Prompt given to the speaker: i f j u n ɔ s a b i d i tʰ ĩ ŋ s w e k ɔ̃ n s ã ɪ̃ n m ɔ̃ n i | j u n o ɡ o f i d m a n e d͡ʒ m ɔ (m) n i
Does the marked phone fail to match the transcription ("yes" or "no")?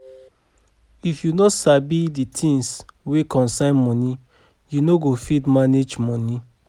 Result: yes